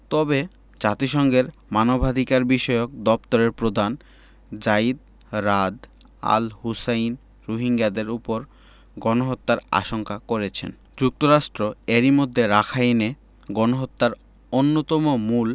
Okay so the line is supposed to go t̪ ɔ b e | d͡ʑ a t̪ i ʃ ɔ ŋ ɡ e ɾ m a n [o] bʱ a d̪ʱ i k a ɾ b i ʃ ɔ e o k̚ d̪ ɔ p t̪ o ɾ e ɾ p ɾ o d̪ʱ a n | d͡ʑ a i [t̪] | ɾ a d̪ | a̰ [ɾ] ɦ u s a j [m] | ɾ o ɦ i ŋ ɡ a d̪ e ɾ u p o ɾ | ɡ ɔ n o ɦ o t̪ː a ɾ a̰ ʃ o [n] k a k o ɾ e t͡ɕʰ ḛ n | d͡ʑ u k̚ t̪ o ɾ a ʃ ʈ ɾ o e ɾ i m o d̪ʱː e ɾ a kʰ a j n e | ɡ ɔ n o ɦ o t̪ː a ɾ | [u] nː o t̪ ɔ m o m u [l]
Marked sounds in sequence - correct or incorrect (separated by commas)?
correct, incorrect, incorrect, incorrect, incorrect, incorrect, correct